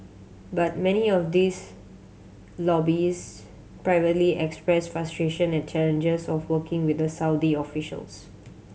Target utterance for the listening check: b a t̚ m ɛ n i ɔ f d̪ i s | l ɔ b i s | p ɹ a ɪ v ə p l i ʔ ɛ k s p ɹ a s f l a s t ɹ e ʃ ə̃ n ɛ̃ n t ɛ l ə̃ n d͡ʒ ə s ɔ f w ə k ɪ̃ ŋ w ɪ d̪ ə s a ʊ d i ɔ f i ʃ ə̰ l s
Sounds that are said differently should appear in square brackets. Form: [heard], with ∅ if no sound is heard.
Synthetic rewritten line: b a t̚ m ɛ n i ɔ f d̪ i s | l ɔ b i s | p ɹ a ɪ v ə [t] l i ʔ ɛ k s p ɹ [ɛ] s f [ɹ] a s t ɹ e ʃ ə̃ n ɛ̃ n [t͡ʃ] ɛ l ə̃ n d͡ʒ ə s ɔ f w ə k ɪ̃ ŋ w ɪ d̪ ə s a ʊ d i ɔ f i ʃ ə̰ l s